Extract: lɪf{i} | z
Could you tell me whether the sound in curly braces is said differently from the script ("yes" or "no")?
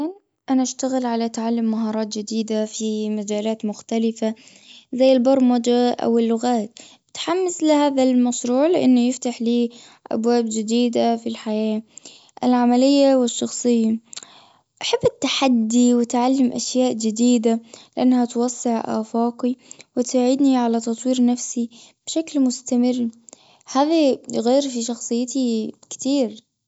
yes